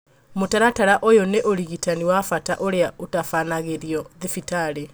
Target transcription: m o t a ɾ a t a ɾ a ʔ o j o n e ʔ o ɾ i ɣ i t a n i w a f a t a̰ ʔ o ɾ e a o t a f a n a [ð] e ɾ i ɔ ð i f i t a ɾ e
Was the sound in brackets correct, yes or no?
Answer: no